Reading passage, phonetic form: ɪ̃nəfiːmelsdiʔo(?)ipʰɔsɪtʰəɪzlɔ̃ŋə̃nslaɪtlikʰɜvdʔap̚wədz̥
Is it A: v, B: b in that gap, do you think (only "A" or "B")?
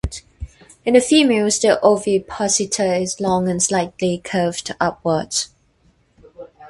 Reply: A